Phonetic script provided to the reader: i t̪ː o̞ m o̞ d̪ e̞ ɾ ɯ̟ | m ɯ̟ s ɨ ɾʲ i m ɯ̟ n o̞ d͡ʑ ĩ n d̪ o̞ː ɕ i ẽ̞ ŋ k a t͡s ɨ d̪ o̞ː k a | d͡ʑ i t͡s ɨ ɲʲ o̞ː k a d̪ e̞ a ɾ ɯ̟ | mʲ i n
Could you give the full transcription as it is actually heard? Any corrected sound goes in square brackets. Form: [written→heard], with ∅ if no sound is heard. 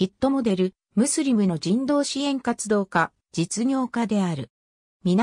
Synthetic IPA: i t̪ː o̞ m o̞ d̪ e̞ ɾ ɯ̟ | m ɯ̟ s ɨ ɾʲ i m ɯ̟ n o̞ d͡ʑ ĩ n d̪ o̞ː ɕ i ẽ̞ ŋ k a t͡s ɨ d̪ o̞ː k a | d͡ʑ i t͡s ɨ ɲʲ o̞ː k a d̪ e̞ a ɾ ɯ̟ | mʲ i n